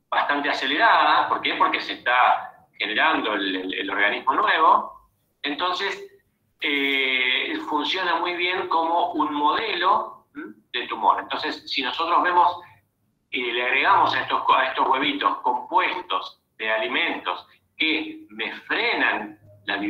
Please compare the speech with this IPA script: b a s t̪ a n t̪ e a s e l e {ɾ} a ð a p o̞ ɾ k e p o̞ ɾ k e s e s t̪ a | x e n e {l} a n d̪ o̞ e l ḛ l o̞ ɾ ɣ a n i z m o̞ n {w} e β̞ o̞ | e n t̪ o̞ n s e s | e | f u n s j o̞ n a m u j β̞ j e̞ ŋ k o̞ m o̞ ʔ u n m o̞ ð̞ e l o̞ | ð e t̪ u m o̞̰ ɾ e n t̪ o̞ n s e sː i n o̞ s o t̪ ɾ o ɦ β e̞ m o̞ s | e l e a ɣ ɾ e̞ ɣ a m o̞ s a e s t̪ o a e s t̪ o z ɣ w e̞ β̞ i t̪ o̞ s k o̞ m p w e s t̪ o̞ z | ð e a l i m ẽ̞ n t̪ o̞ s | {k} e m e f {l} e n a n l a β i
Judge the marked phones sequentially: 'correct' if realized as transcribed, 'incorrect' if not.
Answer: correct, incorrect, correct, correct, incorrect

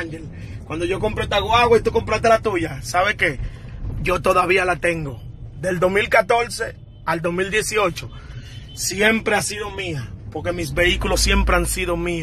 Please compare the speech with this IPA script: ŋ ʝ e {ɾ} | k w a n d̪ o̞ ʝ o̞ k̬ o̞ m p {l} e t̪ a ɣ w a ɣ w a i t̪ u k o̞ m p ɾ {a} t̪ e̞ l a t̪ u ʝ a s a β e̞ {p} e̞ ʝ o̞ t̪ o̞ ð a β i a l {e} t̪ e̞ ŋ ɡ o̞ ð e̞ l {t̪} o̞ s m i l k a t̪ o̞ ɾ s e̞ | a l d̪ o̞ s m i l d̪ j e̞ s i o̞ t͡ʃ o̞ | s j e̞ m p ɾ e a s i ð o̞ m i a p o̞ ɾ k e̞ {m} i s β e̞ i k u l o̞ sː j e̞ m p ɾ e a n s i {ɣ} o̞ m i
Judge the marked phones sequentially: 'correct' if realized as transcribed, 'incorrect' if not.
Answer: incorrect, incorrect, correct, incorrect, incorrect, incorrect, correct, incorrect

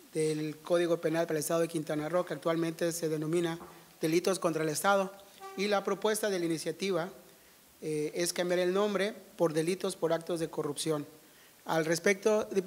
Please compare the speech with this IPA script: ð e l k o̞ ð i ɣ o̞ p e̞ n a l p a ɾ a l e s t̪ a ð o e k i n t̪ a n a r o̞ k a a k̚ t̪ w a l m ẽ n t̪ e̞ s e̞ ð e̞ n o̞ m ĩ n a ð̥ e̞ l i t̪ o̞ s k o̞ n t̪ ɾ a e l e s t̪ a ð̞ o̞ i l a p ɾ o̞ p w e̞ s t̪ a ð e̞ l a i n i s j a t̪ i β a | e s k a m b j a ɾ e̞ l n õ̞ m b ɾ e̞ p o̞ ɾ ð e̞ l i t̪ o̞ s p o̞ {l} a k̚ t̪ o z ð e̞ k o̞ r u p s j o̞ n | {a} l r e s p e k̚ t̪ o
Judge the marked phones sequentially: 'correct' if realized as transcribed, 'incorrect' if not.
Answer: incorrect, correct

